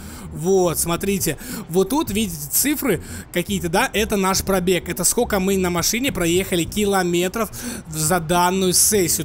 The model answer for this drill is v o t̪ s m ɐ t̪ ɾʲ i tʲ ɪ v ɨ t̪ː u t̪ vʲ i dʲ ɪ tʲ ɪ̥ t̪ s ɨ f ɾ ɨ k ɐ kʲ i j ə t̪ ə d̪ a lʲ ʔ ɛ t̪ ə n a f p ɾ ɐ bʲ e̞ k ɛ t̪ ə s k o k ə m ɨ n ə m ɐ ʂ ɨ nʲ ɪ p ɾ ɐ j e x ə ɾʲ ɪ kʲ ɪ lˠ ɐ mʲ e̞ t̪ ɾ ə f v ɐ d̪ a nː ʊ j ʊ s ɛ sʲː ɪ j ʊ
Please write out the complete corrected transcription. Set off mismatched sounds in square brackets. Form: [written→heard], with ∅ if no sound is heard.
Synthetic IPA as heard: v o t̪ s m ɐ t̪ ɾʲ i tʲ ɪ v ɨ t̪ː u t̪ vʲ i dʲ ɪ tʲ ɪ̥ t̪ s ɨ f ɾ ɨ k ɐ kʲ i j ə t̪ ə d̪ a [lʲ→∅] ʔ ɛ t̪ ə n a [f→ʂ] p ɾ ɐ bʲ e̞ k ɛ t̪ ə s k o k ə m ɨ n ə m ɐ ʂ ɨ nʲ ɪ p ɾ ɐ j e x ə [ɾʲ→lʲ] ɪ kʲ ɪ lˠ ɐ mʲ e̞ t̪ ɾ ə f [v→z] ɐ d̪ a nː ʊ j ʊ s ɛ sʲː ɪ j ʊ